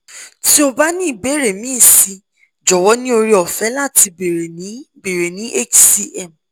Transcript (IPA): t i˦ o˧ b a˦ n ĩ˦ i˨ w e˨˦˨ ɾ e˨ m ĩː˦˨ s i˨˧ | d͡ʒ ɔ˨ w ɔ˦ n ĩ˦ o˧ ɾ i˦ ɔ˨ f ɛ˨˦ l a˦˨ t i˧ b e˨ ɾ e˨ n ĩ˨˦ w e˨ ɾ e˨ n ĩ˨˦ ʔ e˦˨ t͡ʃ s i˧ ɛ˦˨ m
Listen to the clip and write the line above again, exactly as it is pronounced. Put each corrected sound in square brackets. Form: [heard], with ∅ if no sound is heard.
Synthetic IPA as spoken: t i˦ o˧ b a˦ n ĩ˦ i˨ [b] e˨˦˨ ɾ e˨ m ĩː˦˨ s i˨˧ | d͡ʒ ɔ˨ w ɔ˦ n ĩ˦ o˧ ɾ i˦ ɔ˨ f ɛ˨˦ l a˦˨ t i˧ b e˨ ɾ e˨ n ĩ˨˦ [b] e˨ ɾ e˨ n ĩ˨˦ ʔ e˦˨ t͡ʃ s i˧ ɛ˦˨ m

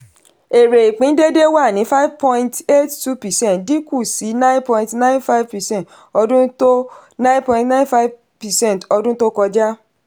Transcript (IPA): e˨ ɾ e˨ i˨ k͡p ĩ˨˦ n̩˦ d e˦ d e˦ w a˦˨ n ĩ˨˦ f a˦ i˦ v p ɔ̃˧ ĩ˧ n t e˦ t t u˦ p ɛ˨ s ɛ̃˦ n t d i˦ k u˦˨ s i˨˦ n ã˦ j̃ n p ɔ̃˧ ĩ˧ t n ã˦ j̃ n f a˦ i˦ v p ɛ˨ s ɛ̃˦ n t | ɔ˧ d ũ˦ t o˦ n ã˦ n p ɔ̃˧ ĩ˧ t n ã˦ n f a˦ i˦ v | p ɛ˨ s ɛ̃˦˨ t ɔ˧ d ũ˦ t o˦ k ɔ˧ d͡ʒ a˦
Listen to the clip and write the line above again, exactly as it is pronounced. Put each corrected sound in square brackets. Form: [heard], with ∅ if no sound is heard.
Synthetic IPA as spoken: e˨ ɾ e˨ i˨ k͡p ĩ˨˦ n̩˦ d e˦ d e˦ w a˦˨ n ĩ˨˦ f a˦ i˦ v p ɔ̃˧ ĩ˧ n t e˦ t t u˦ p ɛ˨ s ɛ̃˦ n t d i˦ k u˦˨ s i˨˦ n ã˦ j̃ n p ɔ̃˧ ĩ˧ t n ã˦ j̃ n f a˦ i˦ v p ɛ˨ s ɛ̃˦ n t | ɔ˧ d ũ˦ t o˦ n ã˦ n p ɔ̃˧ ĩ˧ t n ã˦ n f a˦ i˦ v | p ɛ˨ s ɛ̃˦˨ t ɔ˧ d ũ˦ t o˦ k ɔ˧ d͡ʒ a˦

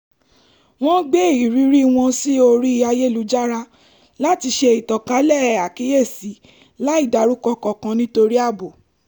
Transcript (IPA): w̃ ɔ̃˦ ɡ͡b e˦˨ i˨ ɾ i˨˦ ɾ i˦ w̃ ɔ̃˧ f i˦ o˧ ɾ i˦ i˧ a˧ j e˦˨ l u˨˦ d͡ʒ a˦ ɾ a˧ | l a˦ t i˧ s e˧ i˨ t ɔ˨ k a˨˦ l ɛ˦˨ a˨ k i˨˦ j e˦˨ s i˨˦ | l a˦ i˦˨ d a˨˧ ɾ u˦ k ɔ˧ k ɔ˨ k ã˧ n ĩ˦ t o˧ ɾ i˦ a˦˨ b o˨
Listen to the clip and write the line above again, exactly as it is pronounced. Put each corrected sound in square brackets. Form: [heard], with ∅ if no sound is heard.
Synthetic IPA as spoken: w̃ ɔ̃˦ ɡ͡b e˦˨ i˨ ɾ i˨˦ ɾ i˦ w̃ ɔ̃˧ [s] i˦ o˧ ɾ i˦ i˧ a˧ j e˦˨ l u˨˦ d͡ʒ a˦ ɾ a˧ | l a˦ t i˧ [ʃ] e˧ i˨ t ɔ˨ k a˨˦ l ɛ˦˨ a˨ k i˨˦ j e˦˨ s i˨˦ | l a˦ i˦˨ d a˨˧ ɾ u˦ k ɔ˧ k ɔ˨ k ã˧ n ĩ˦ t o˧ ɾ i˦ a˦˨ b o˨

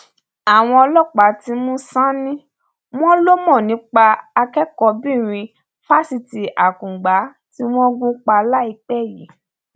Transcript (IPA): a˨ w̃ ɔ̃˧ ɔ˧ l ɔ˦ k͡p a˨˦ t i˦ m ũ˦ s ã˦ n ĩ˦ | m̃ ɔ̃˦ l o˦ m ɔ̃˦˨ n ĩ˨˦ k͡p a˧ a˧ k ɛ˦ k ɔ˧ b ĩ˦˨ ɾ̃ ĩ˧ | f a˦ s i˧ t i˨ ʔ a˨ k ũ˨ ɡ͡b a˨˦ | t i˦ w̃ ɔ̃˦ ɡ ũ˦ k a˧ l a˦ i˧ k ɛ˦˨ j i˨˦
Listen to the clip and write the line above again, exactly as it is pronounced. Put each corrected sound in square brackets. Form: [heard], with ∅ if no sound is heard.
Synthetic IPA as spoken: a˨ w̃ ɔ̃˧ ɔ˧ l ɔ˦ k͡p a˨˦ t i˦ m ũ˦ s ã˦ n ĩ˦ | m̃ ɔ̃˦ l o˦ m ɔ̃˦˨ n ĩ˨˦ k͡p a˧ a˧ k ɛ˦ k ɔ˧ b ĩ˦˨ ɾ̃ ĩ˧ | f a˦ s i˧ t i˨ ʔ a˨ k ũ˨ ɡ͡b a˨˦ | t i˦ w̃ ɔ̃˦ ɡ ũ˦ [k͡p] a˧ l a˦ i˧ [k͡p] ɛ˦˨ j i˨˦

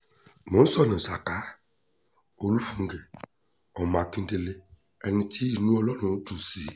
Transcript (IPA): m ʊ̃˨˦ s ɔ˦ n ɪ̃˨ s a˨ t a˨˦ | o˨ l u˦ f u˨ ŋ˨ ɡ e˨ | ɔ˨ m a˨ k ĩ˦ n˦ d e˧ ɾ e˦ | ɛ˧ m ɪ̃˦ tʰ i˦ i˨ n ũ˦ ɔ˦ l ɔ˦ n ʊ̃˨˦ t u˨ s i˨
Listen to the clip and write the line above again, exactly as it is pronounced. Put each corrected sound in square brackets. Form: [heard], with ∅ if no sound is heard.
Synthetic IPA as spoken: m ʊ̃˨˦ s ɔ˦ n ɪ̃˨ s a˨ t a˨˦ | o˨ l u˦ f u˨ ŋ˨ ɡ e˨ | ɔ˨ m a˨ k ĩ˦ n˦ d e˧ [l] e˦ | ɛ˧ [n] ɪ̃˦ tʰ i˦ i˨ n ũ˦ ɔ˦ l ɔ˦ n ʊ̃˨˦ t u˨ s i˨

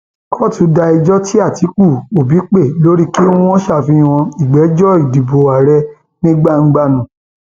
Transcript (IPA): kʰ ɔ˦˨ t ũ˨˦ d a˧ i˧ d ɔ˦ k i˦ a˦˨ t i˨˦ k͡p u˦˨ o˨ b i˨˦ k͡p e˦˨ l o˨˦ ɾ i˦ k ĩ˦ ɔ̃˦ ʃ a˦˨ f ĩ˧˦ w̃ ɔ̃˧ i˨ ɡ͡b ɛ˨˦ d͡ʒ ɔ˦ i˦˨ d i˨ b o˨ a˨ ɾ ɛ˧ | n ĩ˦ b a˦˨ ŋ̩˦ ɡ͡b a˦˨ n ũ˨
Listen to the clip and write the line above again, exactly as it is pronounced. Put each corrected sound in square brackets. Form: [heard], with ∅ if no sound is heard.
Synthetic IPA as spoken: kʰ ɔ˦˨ t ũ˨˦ d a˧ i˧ [d͡ʒ] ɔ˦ [t] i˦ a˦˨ t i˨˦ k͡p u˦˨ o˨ b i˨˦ k͡p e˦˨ l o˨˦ ɾ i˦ k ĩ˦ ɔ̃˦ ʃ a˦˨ f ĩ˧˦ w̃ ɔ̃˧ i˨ ɡ͡b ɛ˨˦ d͡ʒ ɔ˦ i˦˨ d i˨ b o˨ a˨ ɾ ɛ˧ | n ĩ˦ [ɡ͡b] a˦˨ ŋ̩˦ ɡ͡b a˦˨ n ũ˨

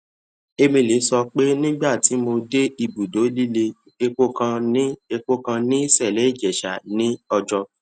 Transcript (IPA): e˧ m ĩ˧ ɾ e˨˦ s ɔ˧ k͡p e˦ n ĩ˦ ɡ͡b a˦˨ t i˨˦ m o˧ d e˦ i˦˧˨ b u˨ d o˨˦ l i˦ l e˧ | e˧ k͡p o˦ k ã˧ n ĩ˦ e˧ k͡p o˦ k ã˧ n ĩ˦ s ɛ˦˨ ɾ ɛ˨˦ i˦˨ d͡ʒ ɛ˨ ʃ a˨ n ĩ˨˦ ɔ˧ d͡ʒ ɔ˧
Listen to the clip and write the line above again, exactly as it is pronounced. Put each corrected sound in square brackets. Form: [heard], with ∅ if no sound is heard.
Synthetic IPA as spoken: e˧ m ĩ˧ [l] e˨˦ s ɔ˧ k͡p e˦ n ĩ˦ ɡ͡b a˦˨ t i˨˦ m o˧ d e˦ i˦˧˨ b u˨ d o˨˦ l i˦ l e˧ | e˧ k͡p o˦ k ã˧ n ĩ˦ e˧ k͡p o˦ k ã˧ n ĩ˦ s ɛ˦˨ [l] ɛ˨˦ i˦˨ d͡ʒ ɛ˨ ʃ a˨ n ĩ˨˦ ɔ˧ d͡ʒ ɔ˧

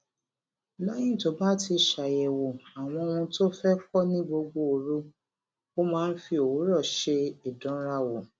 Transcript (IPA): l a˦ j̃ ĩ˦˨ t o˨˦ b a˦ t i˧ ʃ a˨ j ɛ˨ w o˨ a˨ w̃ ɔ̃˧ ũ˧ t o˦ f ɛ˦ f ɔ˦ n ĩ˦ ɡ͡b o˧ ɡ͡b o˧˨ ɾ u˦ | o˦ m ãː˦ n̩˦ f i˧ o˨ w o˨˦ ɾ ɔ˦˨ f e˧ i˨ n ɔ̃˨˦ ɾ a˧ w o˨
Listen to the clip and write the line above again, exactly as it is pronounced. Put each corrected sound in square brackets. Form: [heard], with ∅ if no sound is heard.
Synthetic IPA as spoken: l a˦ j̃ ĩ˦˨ t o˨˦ b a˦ t i˧ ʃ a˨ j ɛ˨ w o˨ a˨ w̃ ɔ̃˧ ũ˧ t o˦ f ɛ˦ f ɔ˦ n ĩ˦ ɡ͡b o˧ ɡ͡b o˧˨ ɾ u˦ | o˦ m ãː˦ n̩˦ f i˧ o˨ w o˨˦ ɾ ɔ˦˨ [ʃ] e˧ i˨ [d] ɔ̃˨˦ ɾ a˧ w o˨

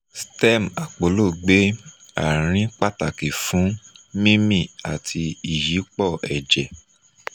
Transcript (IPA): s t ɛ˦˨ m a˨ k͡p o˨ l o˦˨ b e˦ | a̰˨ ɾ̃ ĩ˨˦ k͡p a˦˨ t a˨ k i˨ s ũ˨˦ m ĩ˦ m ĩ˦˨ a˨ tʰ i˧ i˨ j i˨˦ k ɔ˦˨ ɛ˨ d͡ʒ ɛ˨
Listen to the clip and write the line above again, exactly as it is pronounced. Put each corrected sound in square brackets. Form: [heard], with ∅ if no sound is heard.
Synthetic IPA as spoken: s t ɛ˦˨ m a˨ k͡p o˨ l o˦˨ [ɡ͡b] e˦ | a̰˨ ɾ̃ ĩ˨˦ k͡p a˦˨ t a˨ k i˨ [f] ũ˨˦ m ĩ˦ m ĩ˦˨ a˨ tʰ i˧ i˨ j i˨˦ [k͡p] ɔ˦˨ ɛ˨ d͡ʒ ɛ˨

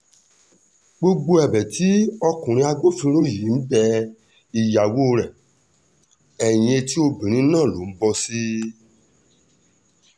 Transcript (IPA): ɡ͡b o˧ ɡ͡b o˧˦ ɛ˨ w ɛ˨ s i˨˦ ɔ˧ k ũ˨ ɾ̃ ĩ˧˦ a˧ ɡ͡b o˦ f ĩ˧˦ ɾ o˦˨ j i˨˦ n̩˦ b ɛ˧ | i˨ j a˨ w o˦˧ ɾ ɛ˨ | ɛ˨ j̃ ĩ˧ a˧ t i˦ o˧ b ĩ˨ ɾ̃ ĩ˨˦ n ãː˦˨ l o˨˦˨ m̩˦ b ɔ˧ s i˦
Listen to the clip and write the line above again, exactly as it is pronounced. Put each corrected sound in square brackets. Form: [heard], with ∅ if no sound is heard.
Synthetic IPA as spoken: ɡ͡b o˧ ɡ͡b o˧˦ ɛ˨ [b] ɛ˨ [t] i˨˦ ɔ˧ k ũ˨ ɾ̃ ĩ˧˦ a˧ ɡ͡b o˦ f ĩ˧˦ ɾ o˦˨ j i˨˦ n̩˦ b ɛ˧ | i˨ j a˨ w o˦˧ ɾ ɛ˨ | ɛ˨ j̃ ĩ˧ [e˧] t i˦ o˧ b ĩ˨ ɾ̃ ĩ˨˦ n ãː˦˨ l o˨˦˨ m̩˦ b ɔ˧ s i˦

